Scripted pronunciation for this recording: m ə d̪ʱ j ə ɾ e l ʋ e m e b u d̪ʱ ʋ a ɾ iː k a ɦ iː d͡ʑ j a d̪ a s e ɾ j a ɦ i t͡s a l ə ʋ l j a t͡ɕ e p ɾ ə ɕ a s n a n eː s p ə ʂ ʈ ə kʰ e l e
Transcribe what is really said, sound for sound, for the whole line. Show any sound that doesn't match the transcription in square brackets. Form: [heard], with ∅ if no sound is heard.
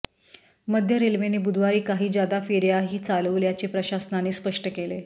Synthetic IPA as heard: m ə d̪ʱ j ə ɾ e l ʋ e [n] e b u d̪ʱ ʋ a ɾ iː k a ɦ iː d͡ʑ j a d̪ a [f] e ɾ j a ɦ [iː] t͡s a l ə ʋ l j a t͡ɕ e p ɾ ə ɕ a s n a n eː s p ə ʂ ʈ ə [k] e l e